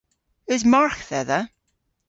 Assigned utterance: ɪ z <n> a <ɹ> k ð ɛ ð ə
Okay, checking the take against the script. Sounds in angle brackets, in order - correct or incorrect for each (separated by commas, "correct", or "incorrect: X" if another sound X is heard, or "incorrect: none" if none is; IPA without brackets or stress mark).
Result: incorrect: m, correct